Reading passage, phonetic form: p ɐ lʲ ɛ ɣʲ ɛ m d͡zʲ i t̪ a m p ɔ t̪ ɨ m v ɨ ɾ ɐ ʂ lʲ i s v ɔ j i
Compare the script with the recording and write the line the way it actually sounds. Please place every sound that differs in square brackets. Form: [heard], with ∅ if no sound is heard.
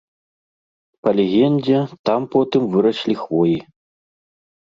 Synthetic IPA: p ɐ lʲ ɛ ɣʲ ɛ [n] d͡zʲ [ɛ] t̪ a m p ɔ t̪ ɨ m v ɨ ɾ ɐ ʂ lʲ i [x] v ɔ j i